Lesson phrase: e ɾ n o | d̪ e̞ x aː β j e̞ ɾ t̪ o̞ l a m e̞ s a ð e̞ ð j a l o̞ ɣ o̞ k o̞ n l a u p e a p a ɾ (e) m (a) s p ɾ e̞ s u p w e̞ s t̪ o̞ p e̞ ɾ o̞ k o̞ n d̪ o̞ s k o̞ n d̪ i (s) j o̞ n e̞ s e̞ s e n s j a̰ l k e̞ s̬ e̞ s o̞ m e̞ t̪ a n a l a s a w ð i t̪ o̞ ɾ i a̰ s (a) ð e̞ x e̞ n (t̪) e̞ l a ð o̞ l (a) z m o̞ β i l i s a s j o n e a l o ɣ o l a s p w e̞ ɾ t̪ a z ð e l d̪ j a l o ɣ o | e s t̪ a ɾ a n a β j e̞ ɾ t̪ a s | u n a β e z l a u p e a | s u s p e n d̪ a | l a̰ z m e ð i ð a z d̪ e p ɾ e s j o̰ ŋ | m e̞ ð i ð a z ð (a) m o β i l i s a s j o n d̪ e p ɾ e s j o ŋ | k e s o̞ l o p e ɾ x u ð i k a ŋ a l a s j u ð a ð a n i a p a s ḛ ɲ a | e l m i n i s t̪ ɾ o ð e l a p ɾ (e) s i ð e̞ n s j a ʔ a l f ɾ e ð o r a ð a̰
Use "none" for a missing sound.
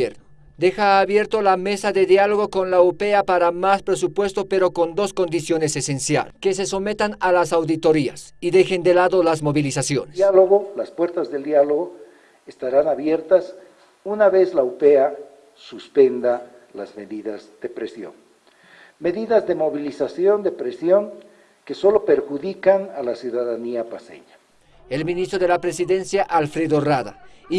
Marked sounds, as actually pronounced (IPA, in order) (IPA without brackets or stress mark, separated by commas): a, a, s, i, d̪, a, e, e